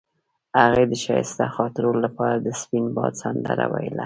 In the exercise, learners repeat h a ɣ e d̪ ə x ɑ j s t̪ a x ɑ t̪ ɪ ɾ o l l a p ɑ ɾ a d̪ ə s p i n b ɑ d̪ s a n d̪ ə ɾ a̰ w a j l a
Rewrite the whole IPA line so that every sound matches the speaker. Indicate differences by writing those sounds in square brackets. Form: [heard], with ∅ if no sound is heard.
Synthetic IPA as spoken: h a ɣ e d̪ ə [ʃ] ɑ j s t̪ a x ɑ t̪ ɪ ɾ o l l a p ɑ ɾ a d̪ ə s p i n b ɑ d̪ s a n d̪ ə ɾ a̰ w a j l a